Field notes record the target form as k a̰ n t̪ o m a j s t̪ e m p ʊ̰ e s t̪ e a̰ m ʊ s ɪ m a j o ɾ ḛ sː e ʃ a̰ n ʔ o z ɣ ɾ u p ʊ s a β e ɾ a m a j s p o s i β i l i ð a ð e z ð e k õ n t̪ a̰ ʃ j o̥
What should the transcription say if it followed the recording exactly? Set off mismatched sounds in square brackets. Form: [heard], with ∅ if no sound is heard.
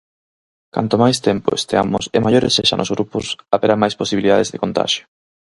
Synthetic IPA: k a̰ n t̪ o m a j s t̪ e m p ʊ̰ e s t̪ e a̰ m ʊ s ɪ m a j o ɾ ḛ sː e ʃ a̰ n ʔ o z ɣ ɾ u p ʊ s a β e ɾ a m a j s p o s i β i l i ð a ð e z ð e k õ n t̪ a̰ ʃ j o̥